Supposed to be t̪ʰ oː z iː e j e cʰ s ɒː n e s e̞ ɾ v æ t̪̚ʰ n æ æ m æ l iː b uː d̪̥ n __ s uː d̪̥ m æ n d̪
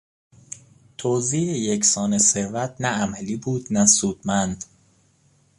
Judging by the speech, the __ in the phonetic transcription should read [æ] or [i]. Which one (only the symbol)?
æ